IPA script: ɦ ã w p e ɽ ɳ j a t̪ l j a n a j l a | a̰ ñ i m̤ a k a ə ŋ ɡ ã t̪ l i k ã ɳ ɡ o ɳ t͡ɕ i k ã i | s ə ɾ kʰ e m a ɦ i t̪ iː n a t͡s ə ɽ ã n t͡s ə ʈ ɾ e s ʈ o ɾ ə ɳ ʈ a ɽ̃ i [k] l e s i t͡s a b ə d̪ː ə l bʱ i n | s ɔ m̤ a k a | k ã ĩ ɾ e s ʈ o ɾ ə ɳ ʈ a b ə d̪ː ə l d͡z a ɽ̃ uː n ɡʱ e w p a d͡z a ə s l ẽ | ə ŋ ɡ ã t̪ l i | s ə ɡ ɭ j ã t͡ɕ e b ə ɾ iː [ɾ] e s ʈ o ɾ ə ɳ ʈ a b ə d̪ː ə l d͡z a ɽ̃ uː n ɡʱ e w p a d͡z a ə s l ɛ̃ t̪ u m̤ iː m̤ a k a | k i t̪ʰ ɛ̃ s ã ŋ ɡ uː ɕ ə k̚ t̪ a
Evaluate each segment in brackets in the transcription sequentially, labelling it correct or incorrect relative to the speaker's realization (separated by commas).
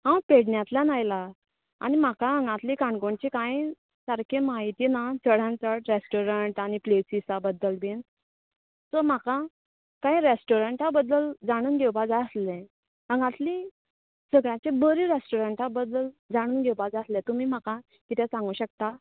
incorrect, correct